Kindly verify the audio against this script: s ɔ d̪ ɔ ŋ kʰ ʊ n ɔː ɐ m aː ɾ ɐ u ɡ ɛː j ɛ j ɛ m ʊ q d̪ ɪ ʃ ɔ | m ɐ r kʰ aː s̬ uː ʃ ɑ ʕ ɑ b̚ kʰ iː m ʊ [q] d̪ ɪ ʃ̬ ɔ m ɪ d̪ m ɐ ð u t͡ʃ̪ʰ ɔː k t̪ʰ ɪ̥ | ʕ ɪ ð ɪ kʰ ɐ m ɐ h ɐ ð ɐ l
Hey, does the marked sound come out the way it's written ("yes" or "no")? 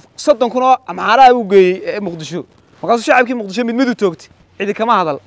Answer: yes